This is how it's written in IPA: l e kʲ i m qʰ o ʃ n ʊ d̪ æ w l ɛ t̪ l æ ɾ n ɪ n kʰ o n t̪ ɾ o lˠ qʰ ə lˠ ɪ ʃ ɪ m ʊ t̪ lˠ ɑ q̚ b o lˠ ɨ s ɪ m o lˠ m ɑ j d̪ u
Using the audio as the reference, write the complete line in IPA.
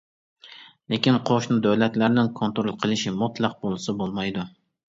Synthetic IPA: l e kʲ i n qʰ o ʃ n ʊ d̪ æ w l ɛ t̪ l æ ɾ n ɪ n kʰ o n t̪ ɾ o lˠ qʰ ə lˠ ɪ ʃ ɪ m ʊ t̪ lˠ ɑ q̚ b o lˠ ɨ s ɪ b o lˠ m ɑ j d̪ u